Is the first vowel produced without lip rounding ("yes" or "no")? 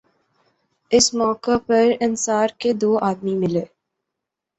yes